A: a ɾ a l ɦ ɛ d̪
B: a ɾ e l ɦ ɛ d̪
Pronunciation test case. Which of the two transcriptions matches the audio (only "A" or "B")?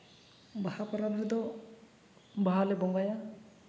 A